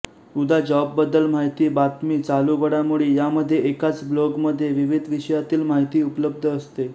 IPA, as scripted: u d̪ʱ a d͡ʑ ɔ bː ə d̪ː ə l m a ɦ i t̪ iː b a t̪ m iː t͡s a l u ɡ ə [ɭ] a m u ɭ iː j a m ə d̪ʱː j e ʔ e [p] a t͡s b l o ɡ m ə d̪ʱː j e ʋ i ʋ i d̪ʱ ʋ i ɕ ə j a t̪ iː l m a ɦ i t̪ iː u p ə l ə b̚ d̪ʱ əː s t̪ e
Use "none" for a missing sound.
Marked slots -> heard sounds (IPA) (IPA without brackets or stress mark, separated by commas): ɽ, k